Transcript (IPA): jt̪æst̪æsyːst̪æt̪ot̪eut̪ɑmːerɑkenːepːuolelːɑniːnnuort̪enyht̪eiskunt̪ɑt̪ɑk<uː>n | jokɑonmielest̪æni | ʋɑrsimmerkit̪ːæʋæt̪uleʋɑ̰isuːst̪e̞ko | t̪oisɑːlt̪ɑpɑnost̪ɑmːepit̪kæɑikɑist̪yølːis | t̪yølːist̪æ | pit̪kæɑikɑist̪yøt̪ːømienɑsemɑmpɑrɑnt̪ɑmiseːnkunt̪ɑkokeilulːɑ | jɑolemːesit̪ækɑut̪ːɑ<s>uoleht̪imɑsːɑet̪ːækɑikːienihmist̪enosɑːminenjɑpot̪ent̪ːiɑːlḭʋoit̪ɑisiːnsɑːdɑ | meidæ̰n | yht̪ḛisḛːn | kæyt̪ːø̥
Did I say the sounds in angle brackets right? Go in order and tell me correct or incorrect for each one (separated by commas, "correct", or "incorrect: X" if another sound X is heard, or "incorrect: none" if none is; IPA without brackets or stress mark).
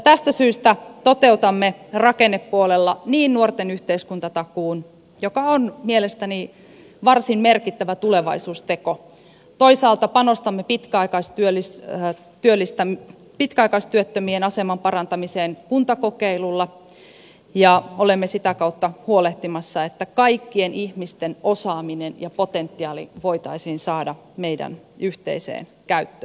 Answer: correct, incorrect: h